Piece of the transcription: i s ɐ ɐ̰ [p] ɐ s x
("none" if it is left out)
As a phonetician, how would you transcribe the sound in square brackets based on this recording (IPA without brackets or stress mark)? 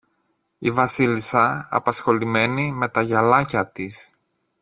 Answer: p